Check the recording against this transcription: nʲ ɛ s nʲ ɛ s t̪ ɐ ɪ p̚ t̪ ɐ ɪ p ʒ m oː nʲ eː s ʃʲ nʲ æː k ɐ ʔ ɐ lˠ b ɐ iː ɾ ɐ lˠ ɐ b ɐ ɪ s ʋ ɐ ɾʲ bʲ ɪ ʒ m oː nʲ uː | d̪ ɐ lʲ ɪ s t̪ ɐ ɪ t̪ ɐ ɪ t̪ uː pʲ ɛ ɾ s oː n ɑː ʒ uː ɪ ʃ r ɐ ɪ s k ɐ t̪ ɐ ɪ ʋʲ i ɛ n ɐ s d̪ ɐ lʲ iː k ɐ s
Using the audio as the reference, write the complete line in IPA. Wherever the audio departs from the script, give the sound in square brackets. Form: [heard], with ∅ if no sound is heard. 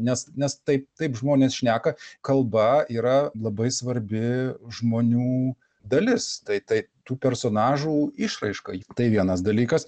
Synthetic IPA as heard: nʲ ɛ s nʲ ɛ s t̪ ɐ ɪ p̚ t̪ ɐ ɪ p ʒ m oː nʲ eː s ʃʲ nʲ æː k ɐ [k] ɐ lˠ b ɐ iː ɾ ɐ lˠ ɐ b ɐ ɪ s ʋ ɐ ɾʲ bʲ ɪ ʒ m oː nʲ uː | d̪ ɐ lʲ ɪ s t̪ ɐ ɪ t̪ ɐ ɪ t̪ uː pʲ ɛ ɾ s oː n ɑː ʒ uː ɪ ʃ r ɐ ɪ [ʃ] k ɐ t̪ ɐ ɪ ʋʲ i ɛ n ɐ s d̪ ɐ lʲ iː k ɐ s

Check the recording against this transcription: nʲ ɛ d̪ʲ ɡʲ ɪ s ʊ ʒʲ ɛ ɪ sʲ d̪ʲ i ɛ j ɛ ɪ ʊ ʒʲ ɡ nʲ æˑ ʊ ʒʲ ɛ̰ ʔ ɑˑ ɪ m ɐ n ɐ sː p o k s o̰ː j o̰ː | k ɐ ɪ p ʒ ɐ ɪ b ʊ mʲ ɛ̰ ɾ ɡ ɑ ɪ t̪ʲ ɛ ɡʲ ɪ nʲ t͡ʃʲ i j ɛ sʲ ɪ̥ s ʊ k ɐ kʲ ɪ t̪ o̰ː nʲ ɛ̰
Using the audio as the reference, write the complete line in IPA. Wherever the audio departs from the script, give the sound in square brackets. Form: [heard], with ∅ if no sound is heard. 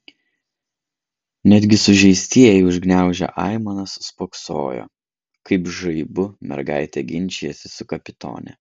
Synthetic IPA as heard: nʲ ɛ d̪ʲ ɡʲ ɪ s ʊ ʒʲ ɛ ɪ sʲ [t̪ʲ] i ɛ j ɛ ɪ ʊ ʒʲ ɡ nʲ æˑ ʊ ʒʲ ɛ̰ ʔ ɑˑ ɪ m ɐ n ɐ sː p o k s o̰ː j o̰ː | k ɐ ɪ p ʒ ɐ ɪ b ʊ mʲ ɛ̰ ɾ ɡ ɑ ɪ t̪ʲ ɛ ɡʲ ɪ nʲ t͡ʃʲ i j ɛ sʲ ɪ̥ s ʊ k ɐ [pʲ] ɪ t̪ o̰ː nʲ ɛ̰

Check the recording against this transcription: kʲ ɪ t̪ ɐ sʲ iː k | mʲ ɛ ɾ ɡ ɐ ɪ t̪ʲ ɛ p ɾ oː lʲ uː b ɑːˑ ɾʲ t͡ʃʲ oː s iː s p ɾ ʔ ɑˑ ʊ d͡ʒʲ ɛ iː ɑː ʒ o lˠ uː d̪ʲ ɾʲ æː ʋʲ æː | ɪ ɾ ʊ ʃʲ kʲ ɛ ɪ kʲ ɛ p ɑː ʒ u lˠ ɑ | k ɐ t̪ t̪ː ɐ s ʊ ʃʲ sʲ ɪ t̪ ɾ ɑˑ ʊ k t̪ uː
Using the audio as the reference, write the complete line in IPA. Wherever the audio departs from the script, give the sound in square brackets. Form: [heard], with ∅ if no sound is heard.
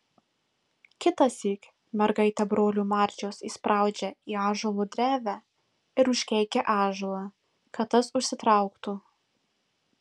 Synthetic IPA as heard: kʲ ɪ t̪ ɐ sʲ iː k | mʲ ɛ ɾ ɡ ɐ ɪ t̪ʲ ɛ [b] ɾ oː lʲ uː [m] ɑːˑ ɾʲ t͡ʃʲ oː s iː s p ɾ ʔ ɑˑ ʊ d͡ʒʲ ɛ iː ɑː ʒ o lˠ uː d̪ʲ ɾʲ æː ʋʲ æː | ɪ ɾ ʊ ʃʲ kʲ ɛ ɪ kʲ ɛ [ʔ] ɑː ʒ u lˠ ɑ | k ɐ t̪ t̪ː ɐ s ʊ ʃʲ sʲ ɪ t̪ ɾ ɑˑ ʊ k t̪ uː

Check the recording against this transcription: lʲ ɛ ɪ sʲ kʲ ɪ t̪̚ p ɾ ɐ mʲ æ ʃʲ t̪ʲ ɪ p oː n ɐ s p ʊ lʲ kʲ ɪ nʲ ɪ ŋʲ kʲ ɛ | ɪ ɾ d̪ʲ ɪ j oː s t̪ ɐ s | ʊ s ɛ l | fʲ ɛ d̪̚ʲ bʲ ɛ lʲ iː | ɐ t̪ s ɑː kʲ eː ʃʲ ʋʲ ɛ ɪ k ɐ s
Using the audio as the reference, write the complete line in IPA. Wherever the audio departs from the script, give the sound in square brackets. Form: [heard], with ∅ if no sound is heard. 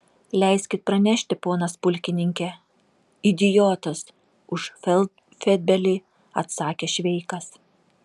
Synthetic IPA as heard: lʲ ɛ ɪ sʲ kʲ ɪ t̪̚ p ɾ ɐ [nʲ] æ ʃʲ t̪ʲ ɪ p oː n ɐ s p ʊ lʲ kʲ ɪ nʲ ɪ ŋʲ kʲ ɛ | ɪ [∅] d̪ʲ ɪ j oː [∅] t̪ ɐ s | ʊ [ʃ] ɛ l | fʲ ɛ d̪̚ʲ bʲ ɛ lʲ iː | ɐ t̪ s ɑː kʲ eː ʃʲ ʋʲ ɛ ɪ k ɐ s

